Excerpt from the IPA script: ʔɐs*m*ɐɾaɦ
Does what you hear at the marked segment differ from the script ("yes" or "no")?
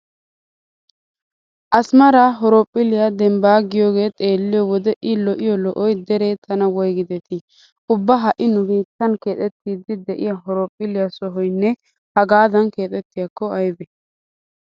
no